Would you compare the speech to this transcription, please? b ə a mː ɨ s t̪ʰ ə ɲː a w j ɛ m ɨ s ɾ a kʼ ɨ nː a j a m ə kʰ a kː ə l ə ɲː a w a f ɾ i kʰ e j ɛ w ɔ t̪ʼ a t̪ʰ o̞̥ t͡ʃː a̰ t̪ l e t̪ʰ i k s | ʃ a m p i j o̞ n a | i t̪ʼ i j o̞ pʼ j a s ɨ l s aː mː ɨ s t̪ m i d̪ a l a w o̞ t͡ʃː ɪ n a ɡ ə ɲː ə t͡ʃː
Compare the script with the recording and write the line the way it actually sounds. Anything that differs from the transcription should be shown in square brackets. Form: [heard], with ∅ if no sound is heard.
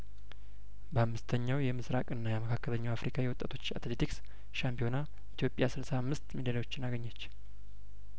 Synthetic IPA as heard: b ə a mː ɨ s t̪ʰ ə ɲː a w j ɛ m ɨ s ɾ a kʼ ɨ nː a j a m ə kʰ a kː ə l ə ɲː a w a f ɾ i kʰ [a] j ɛ w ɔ t̪ʼ a t̪ʰ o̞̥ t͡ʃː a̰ t̪ l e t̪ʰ i k s | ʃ a m p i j o̞ n a | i [t̪] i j o̞ pʼ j a s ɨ l s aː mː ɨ s t̪ m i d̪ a l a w o̞ t͡ʃː ɪ n a ɡ ə ɲː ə t͡ʃː